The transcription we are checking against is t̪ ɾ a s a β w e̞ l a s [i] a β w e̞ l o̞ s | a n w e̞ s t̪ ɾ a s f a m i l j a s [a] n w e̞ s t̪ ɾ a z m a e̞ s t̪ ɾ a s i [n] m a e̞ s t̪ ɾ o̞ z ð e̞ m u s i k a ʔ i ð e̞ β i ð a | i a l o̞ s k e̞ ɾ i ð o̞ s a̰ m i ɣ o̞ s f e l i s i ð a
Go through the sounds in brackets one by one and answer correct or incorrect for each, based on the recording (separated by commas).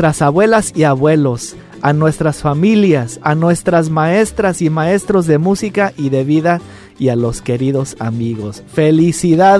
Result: correct, correct, incorrect